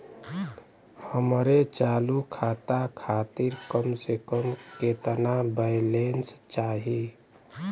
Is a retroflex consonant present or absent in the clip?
absent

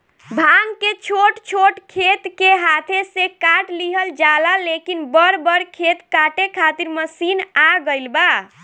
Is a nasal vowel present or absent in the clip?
absent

